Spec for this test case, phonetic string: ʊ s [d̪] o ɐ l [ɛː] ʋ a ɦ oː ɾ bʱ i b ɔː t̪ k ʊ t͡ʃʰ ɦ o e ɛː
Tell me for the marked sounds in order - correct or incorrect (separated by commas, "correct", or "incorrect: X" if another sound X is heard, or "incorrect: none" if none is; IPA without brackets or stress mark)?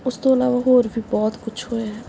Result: incorrect: t̪, incorrect: aː